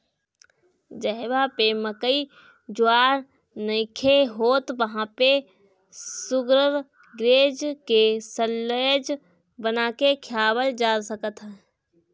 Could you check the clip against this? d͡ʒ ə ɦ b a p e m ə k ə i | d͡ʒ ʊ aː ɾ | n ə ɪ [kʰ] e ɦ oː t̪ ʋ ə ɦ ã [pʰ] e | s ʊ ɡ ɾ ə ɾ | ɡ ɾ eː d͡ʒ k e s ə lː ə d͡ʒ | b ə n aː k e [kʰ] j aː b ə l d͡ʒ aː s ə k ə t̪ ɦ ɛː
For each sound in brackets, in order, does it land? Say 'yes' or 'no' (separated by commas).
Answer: yes, no, yes